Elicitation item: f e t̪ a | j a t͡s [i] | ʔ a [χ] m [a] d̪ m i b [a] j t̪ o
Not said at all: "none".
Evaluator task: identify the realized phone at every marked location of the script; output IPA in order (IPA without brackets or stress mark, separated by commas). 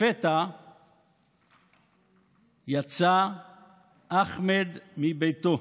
a, χ, e, e